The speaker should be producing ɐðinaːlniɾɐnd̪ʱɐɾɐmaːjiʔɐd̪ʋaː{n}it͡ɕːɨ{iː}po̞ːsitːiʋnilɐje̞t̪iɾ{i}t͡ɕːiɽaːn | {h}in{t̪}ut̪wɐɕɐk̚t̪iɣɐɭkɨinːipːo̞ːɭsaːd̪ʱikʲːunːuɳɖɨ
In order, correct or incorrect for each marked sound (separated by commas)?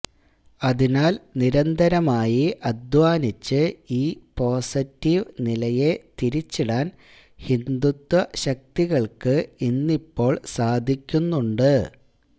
correct, correct, correct, correct, incorrect